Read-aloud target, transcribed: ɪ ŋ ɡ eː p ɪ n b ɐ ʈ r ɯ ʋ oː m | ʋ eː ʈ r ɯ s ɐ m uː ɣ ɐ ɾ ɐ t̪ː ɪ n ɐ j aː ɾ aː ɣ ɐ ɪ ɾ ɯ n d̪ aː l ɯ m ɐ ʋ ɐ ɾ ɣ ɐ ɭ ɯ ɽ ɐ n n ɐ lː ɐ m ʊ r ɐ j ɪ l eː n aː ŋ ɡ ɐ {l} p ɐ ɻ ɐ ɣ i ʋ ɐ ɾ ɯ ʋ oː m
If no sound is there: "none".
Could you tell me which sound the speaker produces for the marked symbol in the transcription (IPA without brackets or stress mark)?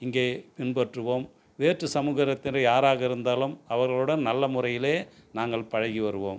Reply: ɭ